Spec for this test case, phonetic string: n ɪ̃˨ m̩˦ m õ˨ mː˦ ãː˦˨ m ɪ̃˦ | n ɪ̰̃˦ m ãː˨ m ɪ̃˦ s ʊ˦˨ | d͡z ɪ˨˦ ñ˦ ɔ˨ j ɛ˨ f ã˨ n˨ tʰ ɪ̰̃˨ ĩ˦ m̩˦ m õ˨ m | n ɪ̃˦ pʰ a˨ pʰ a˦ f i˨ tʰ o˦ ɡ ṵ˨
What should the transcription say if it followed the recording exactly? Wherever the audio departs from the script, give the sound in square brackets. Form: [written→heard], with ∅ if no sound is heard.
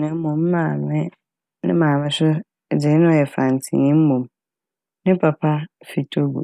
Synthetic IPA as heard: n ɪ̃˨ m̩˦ m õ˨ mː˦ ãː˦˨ m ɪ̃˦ | n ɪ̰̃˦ m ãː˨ m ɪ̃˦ s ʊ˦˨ | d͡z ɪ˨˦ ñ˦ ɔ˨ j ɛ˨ f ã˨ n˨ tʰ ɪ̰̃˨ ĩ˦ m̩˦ m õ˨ m | n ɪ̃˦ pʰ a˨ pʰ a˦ f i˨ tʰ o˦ ɡ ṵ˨